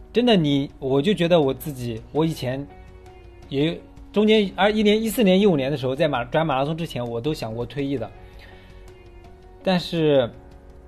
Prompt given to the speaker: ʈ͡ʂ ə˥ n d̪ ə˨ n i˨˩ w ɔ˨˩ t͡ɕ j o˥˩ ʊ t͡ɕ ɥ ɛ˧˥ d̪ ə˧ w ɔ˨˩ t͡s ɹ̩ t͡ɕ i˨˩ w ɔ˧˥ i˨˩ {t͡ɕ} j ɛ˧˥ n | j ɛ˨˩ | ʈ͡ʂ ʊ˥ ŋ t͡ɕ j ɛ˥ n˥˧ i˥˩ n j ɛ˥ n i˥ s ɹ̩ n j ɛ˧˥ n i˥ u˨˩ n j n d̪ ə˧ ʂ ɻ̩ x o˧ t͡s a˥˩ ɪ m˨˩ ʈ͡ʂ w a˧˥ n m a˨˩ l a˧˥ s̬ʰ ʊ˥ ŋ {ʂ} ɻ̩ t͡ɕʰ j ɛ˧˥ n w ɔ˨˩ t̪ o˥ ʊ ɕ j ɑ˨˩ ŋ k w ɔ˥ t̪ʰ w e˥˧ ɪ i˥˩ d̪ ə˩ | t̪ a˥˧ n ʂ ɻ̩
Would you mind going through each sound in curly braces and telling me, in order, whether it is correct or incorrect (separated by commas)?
incorrect, incorrect